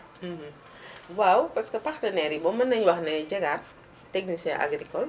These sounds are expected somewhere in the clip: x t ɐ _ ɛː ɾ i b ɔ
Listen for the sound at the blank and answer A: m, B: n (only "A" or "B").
B